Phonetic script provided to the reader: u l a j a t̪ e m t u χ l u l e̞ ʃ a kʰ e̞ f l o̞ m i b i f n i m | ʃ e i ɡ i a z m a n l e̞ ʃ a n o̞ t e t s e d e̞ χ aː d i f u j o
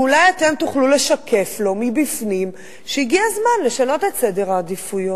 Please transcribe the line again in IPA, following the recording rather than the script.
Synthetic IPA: u l a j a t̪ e m t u χ l u l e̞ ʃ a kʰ e̞ f l o̞ m i b i f n i m | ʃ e i ɡ i a z m a n l e̞ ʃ a n o̞ t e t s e d e̞ ʁ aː d i f u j o